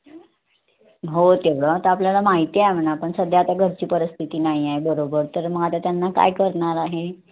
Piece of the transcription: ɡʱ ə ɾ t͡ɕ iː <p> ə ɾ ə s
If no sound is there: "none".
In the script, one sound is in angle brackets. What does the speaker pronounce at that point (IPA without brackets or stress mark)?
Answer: p